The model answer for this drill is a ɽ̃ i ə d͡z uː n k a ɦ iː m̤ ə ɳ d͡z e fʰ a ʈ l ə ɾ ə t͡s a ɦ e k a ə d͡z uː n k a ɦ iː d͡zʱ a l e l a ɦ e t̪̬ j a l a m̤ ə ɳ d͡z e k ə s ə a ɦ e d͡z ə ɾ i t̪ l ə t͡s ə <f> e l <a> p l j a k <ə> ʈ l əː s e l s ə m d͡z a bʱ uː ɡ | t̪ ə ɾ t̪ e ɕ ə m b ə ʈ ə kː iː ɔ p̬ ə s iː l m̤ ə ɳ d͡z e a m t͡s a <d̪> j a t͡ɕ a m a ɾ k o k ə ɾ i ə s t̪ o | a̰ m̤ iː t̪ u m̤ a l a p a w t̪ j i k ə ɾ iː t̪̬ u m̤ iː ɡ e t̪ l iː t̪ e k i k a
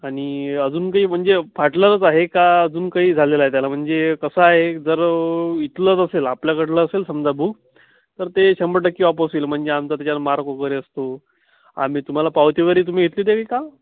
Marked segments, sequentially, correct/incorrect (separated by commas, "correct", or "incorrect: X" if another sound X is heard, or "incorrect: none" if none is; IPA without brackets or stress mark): incorrect: s, correct, correct, incorrect: t̪